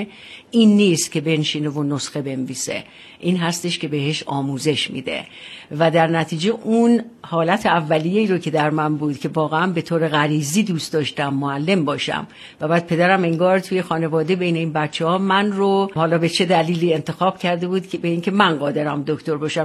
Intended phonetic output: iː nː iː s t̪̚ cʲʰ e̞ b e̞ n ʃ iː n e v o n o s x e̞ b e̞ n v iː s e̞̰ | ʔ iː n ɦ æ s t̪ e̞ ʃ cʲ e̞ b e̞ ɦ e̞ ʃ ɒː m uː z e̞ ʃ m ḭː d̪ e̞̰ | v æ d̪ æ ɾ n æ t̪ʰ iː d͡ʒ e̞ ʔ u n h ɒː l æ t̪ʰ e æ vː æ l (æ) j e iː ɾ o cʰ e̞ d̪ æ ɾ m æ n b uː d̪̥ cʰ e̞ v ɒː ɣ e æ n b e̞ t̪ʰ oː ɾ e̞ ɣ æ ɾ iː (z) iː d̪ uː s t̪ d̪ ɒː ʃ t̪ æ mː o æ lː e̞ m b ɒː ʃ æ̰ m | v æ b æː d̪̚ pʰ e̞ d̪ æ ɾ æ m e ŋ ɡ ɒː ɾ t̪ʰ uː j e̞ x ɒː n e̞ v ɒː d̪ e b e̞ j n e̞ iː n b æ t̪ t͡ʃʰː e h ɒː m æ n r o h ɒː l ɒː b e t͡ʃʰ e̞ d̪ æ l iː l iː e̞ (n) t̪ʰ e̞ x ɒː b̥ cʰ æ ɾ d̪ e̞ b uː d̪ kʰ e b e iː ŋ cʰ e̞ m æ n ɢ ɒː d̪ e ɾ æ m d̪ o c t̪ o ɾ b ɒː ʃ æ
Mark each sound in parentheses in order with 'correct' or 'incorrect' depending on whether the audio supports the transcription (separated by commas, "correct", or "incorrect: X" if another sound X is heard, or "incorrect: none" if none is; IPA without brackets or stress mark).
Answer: incorrect: i, correct, correct